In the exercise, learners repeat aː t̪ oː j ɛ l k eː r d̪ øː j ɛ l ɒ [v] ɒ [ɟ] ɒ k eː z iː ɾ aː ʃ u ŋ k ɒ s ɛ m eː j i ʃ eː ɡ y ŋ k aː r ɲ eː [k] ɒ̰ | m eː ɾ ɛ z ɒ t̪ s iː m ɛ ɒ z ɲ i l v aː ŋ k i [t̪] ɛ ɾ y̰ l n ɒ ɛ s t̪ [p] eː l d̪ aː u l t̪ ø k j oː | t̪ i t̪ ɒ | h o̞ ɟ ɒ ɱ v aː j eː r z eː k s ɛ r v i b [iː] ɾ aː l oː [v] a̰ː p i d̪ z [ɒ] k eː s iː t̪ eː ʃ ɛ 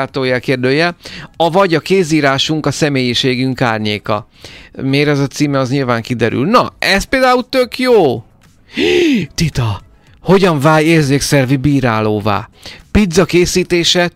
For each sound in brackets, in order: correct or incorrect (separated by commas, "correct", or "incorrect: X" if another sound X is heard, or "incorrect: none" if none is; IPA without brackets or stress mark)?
correct, correct, correct, incorrect: d̪, correct, correct, correct, correct